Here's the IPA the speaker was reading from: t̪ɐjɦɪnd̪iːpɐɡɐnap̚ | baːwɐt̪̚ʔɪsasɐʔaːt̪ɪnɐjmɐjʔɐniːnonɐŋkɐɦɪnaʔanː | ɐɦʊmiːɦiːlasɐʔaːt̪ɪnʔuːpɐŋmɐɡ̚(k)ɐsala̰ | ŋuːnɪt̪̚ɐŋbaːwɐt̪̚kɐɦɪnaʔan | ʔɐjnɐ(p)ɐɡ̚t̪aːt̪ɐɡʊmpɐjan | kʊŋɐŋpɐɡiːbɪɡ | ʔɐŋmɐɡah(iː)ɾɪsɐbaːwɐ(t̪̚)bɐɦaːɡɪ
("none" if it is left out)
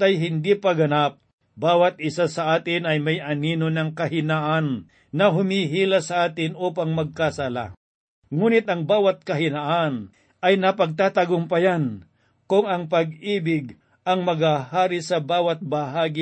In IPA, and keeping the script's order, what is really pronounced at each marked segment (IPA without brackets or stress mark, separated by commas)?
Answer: k, p, aː, t̪̚